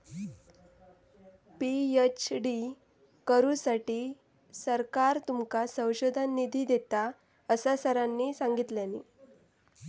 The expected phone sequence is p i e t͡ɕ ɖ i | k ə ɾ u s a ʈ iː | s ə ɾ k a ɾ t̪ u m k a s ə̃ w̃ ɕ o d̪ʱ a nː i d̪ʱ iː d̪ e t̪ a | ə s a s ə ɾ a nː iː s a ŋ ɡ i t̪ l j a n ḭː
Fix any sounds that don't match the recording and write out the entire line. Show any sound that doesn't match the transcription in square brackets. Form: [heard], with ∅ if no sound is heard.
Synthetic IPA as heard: p i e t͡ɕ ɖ i | k ə ɾ u s a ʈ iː | s ə ɾ k a ɾ t̪ u m k a s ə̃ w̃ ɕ o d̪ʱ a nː i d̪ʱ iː d̪ e t̪ a | ə s a s ə ɾ a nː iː s a ŋ ɡ i t̪ l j a n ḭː

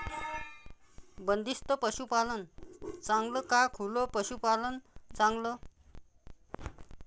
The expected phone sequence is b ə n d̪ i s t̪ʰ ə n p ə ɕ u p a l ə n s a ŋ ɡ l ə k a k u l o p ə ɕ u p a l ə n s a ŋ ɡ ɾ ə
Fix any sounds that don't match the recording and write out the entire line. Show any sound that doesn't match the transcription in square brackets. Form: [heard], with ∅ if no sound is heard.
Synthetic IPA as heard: b ə n d̪ i s [t̪] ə [∅] p ə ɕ u p a l ə n [t͡s] a ŋ ɡ l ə k a [kʰ] u l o p ə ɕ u p a l ə n [t͡s] a ŋ ɡ [l] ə

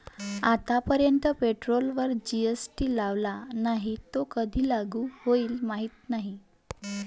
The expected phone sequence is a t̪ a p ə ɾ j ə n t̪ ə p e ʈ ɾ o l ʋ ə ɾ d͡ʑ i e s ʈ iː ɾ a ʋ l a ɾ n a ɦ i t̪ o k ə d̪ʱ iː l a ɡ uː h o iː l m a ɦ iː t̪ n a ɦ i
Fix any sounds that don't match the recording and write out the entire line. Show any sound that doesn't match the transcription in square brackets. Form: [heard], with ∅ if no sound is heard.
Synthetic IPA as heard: a t̪ a p ə ɾ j ə n t̪ ə p e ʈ ɾ o l ʋ ə ɾ d͡ʑ i e s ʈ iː [l] a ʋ l a [∅] n a ɦ i t̪ o k ə d̪ʱ iː l a ɡ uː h o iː l m a ɦ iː t̪ n a ɦ i

